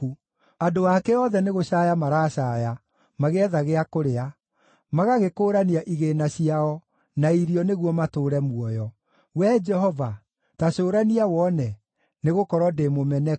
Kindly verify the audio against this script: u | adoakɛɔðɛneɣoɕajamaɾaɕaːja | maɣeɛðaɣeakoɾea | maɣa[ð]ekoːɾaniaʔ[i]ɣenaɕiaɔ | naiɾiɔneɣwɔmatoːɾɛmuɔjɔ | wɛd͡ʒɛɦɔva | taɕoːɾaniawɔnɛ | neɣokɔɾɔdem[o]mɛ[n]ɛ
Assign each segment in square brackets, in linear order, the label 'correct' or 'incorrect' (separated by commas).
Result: incorrect, correct, correct, correct